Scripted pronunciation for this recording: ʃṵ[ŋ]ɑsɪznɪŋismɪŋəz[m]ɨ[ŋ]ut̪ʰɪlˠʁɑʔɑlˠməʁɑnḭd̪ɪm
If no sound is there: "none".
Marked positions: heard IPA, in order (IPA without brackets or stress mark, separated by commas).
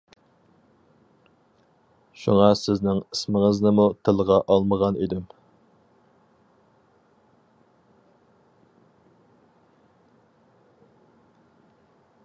ŋ, n, m